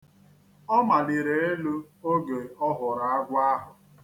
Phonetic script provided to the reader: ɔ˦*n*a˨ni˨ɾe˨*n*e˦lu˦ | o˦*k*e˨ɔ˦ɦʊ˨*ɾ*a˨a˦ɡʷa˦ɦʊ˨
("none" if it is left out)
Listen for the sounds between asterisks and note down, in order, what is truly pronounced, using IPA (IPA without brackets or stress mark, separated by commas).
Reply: m, none, ɡ, ɾ